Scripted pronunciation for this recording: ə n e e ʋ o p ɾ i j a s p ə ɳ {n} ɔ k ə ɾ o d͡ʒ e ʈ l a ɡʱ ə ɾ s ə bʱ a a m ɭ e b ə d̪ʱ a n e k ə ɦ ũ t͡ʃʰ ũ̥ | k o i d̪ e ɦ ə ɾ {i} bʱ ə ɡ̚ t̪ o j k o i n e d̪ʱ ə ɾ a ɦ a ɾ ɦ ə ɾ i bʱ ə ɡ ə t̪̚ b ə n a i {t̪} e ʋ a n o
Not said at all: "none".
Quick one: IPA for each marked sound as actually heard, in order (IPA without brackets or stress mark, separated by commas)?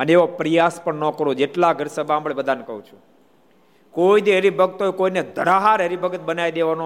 n, i, d̪